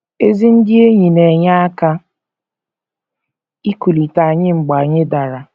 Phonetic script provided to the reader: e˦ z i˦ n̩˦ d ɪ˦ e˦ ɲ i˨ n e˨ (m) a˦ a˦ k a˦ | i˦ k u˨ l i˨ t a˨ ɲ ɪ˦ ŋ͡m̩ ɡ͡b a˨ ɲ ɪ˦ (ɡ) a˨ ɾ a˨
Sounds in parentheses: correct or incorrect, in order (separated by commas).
incorrect, incorrect